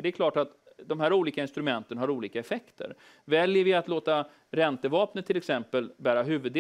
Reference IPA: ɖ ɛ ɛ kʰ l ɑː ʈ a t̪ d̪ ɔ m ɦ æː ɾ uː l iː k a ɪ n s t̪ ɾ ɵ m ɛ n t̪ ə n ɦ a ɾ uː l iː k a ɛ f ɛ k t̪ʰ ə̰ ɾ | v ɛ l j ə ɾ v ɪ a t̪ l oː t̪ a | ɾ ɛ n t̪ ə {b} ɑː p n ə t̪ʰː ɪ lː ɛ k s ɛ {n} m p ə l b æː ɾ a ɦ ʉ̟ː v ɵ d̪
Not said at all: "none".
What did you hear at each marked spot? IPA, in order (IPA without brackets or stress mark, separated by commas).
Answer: v, none